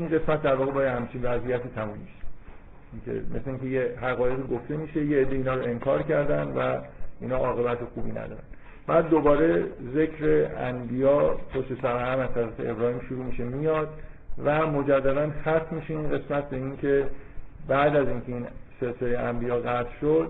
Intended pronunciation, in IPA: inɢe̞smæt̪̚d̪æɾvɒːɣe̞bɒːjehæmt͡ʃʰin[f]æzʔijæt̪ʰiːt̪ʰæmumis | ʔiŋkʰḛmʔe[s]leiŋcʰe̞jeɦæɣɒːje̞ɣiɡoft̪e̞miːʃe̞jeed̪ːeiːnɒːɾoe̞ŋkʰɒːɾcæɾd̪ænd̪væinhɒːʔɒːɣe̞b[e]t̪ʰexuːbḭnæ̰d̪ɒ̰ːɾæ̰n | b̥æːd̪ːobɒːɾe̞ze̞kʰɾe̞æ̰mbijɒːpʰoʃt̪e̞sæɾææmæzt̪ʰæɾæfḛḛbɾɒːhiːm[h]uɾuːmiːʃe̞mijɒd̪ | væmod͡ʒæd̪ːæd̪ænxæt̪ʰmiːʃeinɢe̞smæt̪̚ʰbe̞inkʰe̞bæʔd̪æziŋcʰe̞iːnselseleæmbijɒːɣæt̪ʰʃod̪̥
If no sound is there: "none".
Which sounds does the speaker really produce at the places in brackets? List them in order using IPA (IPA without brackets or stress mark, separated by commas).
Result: v, s, æ, ʃ